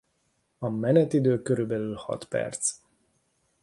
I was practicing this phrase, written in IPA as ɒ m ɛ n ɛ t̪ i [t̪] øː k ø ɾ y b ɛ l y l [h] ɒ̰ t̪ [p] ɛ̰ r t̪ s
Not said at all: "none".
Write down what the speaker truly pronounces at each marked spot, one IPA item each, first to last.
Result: d̪, h, p

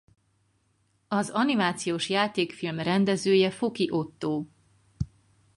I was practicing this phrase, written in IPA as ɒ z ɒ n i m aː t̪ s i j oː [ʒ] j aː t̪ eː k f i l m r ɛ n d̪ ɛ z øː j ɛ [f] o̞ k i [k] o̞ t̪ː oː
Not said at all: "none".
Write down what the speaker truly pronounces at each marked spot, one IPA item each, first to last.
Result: ʃ, f, ʔ

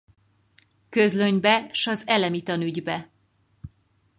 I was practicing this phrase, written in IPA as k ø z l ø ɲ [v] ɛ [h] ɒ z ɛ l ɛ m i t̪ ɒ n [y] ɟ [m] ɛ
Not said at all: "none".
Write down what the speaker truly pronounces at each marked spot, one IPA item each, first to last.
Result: b, ʃ, y, b

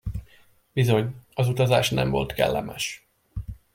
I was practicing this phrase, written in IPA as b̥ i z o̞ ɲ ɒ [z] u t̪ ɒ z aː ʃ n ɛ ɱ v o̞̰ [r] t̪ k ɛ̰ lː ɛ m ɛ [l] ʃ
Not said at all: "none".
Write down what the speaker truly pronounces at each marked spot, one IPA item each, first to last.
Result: z, l, none

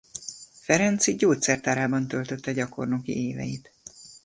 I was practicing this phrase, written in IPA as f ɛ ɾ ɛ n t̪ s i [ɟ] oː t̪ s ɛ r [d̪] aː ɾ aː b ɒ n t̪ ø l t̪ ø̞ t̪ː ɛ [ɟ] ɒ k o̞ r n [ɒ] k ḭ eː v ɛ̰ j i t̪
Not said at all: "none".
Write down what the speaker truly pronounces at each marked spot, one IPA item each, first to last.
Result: ɟ, t̪, ɟ, o

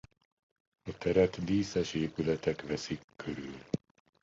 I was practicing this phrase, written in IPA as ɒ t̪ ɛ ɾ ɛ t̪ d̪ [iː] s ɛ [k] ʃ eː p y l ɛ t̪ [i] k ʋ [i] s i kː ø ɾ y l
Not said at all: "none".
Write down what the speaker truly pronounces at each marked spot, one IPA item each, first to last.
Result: iː, none, ɛ, ɛ

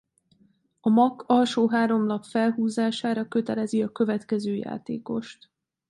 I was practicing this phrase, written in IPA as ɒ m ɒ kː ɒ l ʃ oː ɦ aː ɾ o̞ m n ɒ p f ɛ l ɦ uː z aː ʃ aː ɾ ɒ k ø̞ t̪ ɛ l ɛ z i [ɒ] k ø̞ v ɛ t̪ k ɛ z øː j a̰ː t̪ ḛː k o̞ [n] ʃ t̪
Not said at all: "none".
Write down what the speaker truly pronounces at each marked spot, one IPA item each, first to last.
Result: ɒ, none

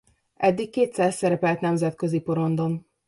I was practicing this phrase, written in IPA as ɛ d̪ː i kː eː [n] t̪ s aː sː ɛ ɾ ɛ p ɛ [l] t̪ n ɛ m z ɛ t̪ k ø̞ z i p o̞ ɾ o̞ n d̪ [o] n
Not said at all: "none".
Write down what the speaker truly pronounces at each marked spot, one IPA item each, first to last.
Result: none, l, o

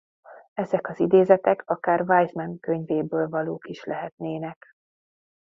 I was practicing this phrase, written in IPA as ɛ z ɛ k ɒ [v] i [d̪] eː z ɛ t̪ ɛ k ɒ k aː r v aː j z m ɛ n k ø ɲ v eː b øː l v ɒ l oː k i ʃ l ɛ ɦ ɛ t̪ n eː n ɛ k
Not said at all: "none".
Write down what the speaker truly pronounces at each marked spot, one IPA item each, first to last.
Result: z, d̪

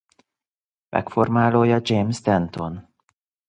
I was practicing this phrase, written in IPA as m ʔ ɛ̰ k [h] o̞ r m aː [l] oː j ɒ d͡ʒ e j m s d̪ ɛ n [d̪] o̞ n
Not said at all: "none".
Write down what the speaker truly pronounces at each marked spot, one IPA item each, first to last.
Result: f, l, t̪

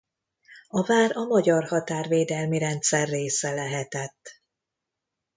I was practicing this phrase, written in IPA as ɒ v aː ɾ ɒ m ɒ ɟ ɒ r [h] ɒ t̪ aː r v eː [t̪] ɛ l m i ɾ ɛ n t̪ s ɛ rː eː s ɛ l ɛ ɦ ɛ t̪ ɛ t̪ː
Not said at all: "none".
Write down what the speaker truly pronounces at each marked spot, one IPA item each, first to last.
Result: h, d̪

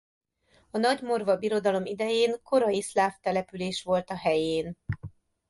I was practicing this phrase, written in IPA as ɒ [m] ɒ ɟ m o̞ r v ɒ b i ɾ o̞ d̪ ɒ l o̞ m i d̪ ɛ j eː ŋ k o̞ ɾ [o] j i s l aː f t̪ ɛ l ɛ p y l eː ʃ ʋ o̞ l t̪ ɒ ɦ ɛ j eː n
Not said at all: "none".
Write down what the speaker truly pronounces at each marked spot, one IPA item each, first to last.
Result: n, ɒ

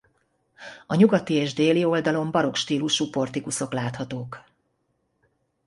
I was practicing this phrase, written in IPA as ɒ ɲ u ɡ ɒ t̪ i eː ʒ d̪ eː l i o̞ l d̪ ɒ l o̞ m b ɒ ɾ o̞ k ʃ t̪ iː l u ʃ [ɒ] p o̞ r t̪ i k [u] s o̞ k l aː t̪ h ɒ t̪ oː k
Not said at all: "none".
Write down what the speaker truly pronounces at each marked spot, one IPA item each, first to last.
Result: u, u

